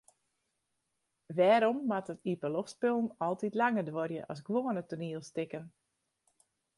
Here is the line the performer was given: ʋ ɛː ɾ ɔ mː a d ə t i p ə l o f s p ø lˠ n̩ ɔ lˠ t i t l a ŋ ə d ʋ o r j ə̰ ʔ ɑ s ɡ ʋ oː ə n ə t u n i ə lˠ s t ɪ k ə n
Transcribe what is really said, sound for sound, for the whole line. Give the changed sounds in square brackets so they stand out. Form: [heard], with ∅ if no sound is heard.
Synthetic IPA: ʋ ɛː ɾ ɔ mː a [t] ə t i p ə l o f s p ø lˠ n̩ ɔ lˠ t i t l a ŋ ə d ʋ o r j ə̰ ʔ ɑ s ɡ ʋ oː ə n ə t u n i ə lˠ s t ɪ k ə n